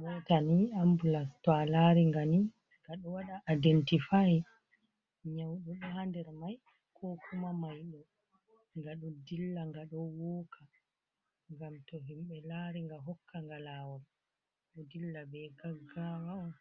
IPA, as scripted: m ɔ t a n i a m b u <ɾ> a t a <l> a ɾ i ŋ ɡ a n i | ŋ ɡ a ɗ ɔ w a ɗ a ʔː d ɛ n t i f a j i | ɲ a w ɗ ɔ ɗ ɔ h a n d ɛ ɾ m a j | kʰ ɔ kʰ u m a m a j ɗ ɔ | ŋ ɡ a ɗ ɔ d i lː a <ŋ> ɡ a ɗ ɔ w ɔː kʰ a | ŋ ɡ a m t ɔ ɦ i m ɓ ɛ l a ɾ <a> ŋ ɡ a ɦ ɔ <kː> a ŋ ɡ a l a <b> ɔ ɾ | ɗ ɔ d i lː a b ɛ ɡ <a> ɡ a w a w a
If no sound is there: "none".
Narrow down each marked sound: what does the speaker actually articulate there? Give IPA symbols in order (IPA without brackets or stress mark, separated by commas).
l, l, ŋ, i, kː, w, a